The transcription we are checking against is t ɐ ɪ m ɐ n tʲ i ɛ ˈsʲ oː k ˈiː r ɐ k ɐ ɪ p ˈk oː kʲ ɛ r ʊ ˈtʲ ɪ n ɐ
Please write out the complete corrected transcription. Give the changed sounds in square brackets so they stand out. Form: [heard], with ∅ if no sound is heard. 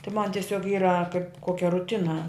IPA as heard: t ɐ ɪ m ɐ n tʲ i ɛ ˈsʲ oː k ˈiː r ɐ k ɐ ɪ p ˈk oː kʲ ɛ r ʊ ˈtʲ ɪ n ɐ